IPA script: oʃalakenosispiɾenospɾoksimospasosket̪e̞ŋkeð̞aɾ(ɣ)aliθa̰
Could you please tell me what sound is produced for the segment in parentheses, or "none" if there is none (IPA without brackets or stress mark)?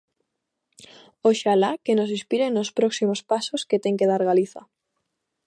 ɣ